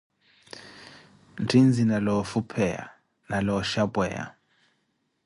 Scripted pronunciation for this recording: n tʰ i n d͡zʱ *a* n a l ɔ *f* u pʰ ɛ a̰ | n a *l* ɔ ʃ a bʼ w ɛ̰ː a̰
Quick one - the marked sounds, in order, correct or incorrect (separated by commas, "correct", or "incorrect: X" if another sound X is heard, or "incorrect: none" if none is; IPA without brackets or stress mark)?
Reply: incorrect: i, correct, correct